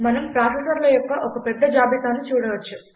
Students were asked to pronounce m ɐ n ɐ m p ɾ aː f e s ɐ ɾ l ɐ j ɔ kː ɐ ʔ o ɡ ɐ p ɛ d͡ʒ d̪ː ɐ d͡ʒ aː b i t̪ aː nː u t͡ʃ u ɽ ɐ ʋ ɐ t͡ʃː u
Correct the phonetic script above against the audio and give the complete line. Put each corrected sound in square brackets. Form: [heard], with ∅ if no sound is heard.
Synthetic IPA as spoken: m ɐ n ɐ m p ɾ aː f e s ɐ ɾ l ɐ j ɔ kː ɐ ʔ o [k] ɐ p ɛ [∅] d̪ː ɐ d͡ʒ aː b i t̪ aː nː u t͡ʃ [uː] ɽ ɐ ʋ ɐ t͡ʃː u